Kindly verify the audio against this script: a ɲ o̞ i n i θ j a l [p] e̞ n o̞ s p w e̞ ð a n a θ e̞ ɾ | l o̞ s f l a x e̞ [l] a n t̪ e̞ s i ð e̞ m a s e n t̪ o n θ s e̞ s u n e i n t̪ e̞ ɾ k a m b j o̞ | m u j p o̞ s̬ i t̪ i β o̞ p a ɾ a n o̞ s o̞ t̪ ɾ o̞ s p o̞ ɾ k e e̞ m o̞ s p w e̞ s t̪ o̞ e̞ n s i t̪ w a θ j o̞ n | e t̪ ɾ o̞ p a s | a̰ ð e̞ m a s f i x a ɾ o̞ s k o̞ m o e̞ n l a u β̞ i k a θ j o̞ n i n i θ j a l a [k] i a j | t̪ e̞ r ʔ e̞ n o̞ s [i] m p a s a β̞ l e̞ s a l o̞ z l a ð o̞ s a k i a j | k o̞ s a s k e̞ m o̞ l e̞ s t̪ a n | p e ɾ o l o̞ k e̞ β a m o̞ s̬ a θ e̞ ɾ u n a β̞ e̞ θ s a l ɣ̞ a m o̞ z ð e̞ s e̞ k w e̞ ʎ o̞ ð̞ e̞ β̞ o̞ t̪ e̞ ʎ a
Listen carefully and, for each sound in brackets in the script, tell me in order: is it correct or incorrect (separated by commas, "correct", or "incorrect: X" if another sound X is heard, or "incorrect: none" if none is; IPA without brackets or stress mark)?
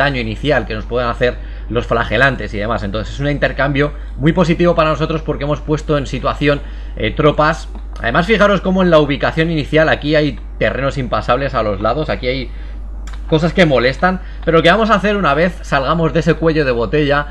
incorrect: k, correct, correct, correct